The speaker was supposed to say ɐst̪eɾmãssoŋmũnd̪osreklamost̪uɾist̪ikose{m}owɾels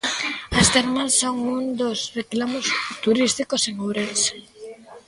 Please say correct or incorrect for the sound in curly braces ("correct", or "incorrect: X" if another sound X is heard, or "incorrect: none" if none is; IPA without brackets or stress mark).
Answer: incorrect: ŋ